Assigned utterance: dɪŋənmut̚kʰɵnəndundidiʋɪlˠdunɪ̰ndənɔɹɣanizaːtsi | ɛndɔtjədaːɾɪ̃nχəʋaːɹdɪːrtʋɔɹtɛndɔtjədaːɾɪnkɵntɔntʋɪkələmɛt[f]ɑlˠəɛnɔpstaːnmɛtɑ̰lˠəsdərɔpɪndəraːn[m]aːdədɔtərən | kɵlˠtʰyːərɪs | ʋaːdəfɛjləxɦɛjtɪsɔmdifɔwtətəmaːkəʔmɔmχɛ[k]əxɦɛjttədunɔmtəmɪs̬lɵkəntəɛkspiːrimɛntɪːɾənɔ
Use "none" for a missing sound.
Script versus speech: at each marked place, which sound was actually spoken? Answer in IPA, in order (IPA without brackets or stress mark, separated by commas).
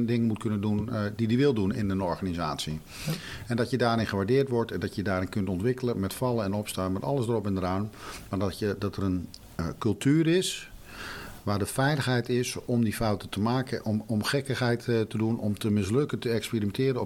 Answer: f, m, k